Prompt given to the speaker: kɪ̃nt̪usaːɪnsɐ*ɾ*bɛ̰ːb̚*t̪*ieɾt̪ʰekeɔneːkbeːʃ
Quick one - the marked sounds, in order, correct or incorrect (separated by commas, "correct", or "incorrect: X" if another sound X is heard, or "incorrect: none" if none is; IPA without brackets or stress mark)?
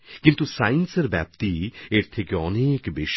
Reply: correct, correct